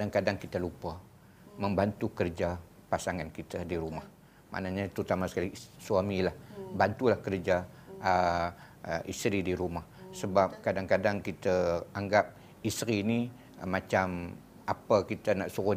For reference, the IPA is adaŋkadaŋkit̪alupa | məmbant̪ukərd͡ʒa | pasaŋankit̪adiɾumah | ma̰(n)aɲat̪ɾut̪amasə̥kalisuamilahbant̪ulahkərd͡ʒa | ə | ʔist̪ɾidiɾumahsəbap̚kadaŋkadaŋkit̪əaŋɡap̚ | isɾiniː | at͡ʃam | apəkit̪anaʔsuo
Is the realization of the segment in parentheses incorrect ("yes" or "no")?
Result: no